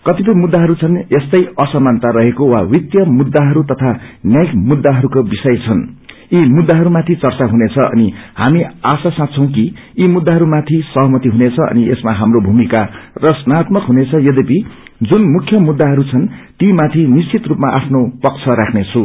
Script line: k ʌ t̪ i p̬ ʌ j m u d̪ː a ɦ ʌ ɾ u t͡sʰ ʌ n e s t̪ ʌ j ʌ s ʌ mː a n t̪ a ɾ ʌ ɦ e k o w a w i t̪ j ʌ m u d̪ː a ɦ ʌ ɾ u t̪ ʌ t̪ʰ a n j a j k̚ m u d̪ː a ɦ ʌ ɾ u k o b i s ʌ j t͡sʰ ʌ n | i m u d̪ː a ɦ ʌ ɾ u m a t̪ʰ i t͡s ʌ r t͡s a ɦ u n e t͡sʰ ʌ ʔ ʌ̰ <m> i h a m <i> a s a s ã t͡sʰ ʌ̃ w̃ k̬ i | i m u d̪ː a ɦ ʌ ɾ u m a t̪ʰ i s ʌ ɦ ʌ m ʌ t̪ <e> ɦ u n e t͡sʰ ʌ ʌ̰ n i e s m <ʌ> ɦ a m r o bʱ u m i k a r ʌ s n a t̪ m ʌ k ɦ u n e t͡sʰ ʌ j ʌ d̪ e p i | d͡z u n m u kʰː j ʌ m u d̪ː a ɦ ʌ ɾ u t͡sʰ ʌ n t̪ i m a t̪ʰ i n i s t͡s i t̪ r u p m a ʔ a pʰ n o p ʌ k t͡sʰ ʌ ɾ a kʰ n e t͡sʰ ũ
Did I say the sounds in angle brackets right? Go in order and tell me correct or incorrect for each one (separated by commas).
incorrect, correct, incorrect, incorrect